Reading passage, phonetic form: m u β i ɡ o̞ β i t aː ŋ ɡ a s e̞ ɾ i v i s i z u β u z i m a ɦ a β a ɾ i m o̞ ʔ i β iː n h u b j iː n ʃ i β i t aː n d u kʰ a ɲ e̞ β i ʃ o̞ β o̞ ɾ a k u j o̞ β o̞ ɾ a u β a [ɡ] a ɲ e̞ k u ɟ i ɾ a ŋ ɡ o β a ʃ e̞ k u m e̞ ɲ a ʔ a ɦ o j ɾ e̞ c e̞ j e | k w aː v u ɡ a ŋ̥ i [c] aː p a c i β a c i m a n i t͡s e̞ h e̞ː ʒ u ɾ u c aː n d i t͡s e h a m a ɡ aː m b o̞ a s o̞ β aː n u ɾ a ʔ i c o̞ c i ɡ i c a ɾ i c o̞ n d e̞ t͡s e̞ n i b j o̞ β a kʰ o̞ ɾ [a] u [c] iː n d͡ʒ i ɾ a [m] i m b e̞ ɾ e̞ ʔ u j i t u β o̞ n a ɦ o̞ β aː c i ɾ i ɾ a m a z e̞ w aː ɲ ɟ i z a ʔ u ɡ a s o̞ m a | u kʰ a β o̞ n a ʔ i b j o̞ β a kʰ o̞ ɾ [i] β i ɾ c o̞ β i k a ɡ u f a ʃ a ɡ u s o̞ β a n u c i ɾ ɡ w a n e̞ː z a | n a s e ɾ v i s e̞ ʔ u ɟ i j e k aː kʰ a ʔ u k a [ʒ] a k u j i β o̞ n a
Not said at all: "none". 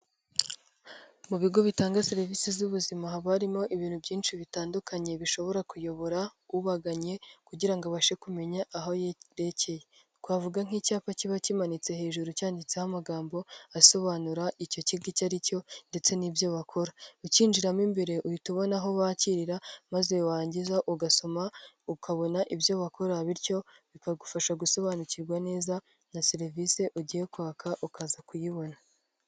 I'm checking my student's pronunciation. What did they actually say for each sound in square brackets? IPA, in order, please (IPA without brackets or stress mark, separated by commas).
ɡ, c, a, c, m, a, z